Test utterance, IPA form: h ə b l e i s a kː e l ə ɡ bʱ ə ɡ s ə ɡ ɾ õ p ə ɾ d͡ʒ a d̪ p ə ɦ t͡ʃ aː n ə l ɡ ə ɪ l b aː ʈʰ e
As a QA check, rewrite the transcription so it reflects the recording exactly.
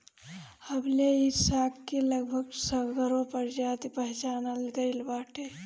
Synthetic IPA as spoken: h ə b l e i s a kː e l ə ɡ bʱ ə ɡ s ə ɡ ɾ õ p ə ɾ d͡ʒ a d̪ p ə ɦ t͡ʃ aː n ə l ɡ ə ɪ l b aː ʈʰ e